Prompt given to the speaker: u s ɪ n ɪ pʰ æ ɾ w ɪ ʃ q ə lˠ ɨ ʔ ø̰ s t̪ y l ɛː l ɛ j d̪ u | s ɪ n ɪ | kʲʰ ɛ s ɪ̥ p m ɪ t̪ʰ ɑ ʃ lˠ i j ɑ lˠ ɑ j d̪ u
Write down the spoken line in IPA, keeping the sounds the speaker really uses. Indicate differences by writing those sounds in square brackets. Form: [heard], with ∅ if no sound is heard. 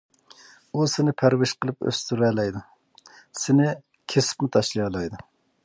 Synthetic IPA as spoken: u s ɪ n ɪ pʰ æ ɾ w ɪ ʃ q ə lˠ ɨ [p] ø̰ s t̪ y [ɾ] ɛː l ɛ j d̪ u | s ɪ n ɪ | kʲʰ [e] s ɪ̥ p m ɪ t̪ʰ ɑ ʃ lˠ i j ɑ lˠ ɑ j d̪ u